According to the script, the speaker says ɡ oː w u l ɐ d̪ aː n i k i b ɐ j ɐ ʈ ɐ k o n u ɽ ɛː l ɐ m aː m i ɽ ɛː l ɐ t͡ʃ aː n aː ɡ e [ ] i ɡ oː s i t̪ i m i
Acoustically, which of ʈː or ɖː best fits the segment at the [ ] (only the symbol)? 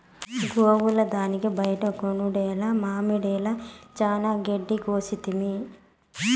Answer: ɖː